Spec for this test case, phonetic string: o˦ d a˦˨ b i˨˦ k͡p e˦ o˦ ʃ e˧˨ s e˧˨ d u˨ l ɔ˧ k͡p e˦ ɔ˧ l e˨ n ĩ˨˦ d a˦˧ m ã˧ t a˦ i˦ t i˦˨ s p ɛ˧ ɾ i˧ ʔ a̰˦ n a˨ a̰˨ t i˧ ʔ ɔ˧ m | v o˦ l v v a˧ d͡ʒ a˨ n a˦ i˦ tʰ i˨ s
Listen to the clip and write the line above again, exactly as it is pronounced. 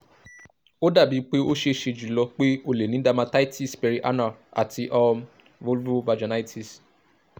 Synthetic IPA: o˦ d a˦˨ b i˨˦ k͡p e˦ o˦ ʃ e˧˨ ʃ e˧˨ d͡ʒ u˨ l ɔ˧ k͡p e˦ o˧ l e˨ n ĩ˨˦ d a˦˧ m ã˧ t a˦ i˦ t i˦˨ s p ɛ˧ ɾ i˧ ʔ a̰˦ n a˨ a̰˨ t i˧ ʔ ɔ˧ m | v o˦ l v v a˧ d͡ʒ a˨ n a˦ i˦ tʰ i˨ s